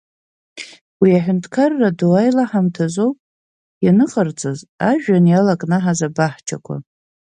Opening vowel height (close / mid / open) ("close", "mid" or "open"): close